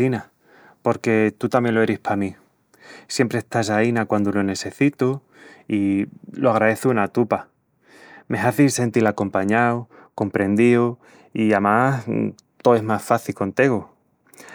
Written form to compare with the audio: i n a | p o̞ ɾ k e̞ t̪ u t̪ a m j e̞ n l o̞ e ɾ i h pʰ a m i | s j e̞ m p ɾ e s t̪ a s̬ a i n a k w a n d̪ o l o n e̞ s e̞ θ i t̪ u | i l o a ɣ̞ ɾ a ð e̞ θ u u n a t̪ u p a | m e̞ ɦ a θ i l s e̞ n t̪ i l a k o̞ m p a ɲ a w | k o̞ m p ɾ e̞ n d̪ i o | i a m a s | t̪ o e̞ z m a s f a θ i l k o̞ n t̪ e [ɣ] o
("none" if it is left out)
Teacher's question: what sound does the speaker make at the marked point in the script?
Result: ɣ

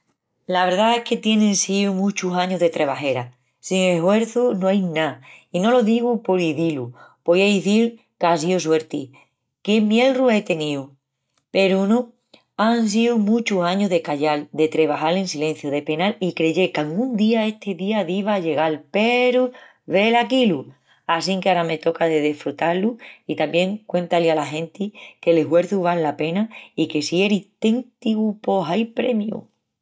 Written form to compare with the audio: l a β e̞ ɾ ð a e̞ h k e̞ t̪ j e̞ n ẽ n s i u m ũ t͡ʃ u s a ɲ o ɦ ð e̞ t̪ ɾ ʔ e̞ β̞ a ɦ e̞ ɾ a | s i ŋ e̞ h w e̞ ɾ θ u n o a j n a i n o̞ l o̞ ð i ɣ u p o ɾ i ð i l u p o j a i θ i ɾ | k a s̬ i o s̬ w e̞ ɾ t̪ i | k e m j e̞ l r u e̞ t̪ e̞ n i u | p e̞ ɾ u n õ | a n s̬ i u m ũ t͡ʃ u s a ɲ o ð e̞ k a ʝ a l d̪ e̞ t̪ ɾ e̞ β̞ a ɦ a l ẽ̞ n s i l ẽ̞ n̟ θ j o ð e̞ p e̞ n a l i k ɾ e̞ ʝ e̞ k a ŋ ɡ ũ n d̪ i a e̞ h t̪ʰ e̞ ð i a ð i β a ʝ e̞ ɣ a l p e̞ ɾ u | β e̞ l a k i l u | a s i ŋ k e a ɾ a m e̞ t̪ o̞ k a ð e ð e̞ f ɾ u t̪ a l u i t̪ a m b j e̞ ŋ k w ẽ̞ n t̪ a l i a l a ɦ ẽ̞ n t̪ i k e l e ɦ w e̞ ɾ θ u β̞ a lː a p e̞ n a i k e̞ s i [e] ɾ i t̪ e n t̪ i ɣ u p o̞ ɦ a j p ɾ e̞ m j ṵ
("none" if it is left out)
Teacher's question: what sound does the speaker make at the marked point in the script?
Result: e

